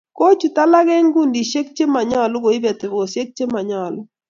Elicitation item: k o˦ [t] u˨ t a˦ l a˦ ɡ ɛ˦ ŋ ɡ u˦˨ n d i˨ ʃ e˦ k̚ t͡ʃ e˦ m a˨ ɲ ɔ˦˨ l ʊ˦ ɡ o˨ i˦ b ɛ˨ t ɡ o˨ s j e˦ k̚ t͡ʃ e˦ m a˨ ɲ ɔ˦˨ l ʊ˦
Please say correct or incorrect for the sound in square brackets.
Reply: incorrect: t͡ʃ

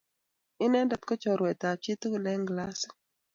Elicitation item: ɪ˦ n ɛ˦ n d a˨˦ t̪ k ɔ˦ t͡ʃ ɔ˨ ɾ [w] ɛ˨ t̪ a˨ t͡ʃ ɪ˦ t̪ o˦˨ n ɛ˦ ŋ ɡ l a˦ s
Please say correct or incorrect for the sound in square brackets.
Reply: correct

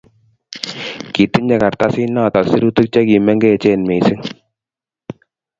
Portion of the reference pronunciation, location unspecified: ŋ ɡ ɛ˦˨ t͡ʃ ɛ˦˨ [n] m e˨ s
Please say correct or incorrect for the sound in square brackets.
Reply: correct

